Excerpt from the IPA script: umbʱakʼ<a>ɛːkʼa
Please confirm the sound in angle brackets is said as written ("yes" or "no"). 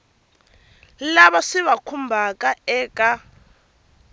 yes